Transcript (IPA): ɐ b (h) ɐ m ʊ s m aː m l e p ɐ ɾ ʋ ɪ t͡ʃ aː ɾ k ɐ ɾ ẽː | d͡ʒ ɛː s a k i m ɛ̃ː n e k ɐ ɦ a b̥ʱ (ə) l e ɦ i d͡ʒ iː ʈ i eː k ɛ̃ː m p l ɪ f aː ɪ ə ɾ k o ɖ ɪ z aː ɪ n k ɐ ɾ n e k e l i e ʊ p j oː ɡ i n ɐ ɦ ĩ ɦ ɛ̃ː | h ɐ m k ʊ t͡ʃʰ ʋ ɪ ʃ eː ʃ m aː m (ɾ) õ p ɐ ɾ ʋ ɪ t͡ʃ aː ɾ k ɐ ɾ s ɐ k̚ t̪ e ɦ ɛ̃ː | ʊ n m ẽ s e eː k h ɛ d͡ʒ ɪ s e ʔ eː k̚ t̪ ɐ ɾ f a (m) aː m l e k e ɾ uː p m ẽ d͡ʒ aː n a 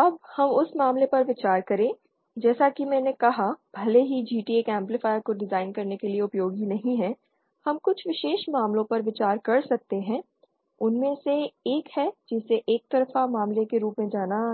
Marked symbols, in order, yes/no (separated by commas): yes, no, no, yes